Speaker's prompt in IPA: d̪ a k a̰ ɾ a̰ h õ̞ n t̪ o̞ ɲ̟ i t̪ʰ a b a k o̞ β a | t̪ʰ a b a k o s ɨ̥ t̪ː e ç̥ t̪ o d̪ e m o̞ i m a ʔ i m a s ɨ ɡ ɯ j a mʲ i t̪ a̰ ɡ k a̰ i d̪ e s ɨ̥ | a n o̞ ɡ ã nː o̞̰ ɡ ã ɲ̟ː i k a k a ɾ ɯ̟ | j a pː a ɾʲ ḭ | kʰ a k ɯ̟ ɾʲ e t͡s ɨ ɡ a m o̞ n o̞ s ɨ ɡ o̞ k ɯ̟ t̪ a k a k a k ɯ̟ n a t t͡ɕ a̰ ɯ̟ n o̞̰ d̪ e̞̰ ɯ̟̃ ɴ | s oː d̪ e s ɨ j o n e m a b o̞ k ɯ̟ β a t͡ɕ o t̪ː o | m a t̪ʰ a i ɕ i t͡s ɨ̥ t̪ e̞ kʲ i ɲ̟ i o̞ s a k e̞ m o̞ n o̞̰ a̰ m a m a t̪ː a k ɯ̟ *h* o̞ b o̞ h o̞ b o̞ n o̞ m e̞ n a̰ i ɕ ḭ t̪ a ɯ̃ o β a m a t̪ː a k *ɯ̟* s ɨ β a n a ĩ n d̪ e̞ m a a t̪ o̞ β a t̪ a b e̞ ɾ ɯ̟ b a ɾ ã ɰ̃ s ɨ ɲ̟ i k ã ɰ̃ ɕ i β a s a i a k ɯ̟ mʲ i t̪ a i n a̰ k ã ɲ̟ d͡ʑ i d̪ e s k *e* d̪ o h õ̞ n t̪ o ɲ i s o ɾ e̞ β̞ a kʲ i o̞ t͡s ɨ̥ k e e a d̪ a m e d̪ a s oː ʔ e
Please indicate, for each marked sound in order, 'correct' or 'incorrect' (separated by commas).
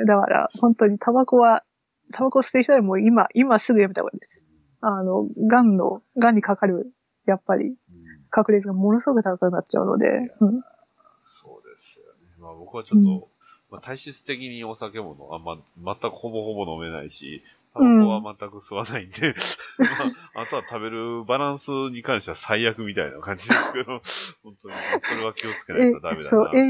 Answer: correct, correct, correct